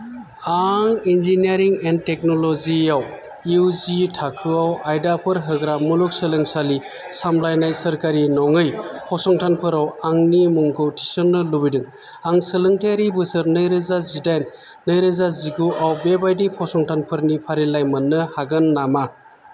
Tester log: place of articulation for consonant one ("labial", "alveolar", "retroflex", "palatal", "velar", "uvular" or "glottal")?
velar